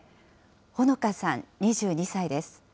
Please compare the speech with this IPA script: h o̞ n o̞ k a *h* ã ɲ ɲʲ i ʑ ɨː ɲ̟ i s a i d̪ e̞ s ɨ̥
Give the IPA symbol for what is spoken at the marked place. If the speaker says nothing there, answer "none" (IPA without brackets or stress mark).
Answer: s